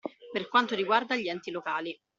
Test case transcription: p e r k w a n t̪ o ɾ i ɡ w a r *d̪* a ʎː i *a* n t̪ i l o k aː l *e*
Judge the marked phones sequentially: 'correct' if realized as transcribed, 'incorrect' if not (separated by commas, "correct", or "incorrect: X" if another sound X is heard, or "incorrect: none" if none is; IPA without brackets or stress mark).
correct, incorrect: ɛ, incorrect: i